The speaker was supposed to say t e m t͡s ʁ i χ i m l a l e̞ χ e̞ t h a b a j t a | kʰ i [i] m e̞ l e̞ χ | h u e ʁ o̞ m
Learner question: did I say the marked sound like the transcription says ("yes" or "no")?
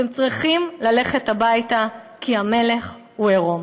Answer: no